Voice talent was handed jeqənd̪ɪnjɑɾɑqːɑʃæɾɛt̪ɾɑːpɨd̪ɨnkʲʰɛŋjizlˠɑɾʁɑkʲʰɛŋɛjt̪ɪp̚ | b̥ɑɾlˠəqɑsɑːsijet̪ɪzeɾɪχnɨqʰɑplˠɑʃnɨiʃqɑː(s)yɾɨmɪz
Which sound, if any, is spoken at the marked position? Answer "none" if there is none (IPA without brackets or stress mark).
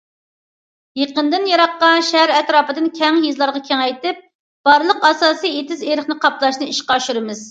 ʃ